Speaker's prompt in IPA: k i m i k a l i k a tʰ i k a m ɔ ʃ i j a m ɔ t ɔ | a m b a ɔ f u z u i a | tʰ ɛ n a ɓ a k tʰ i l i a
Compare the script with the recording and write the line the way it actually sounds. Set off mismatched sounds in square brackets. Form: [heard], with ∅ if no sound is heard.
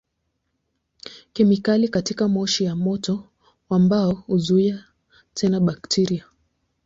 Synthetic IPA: k i m i k a l i k a [t] i k a m ɔ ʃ i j a m ɔ t ɔ | a m b a ɔ [h] u z u i a | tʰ ɛ n a ɓ a k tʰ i [ɾ] i a